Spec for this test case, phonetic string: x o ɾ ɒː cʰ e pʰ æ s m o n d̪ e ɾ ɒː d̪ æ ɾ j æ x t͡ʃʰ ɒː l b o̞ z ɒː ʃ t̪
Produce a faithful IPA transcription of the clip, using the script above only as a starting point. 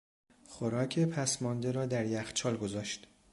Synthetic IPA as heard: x o ɾ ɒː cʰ e pʰ æ s m ɒ n d̪ e ɾ ɒː d̪ æ ɾ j æ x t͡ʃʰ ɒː l ɡ o̞ z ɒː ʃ t̪